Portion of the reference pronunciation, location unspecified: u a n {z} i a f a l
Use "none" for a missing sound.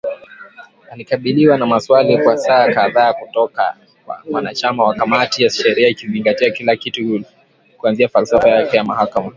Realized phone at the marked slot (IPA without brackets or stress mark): z